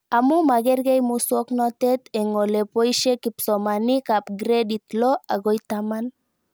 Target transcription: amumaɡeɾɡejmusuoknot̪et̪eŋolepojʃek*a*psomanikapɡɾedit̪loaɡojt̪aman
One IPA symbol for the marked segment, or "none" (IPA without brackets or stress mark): i